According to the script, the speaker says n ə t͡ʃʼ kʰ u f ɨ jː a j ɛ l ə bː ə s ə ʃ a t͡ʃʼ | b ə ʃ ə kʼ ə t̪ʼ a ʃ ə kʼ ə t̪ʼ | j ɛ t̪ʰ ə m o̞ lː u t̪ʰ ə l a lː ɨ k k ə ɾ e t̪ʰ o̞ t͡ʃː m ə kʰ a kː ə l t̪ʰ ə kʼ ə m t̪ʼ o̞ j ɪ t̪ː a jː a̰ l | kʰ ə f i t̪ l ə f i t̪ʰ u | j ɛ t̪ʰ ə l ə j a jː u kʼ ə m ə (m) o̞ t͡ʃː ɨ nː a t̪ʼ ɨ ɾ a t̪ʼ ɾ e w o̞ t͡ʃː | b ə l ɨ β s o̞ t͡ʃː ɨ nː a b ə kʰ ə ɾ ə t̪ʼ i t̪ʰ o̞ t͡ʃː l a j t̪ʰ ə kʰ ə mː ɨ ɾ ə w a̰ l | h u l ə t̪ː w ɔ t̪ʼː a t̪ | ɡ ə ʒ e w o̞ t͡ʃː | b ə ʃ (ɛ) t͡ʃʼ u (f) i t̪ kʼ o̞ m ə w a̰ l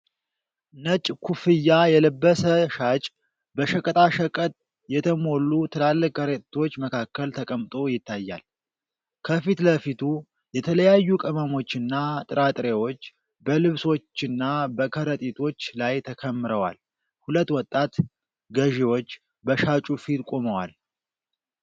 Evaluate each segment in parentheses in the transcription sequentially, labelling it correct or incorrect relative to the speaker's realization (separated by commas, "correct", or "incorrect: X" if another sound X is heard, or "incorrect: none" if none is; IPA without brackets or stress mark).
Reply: correct, incorrect: a, correct